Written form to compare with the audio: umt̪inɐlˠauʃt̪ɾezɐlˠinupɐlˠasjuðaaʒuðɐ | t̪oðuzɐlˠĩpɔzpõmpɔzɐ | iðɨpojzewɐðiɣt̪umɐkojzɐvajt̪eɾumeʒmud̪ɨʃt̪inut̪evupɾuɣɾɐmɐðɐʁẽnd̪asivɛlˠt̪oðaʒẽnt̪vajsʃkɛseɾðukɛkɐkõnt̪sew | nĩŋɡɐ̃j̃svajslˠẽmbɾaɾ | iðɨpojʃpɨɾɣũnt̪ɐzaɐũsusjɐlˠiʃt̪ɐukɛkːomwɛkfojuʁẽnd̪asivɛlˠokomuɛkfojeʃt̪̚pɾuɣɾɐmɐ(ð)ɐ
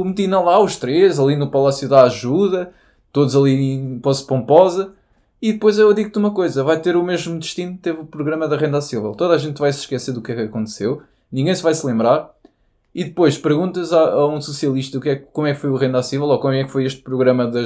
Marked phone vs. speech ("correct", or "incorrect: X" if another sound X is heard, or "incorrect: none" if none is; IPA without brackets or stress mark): correct